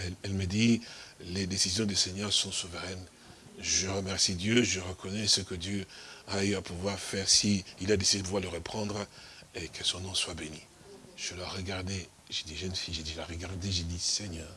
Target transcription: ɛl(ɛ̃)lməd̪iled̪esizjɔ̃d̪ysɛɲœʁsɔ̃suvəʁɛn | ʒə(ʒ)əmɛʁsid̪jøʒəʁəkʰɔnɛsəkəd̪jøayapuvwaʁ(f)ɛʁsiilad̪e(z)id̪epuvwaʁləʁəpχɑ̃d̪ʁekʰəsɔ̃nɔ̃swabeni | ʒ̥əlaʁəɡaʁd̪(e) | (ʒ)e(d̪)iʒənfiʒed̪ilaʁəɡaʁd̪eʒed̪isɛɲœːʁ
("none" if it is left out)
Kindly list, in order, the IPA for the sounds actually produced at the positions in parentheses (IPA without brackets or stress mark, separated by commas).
ɛ, ʁ, f, s, e, ʒ, d̪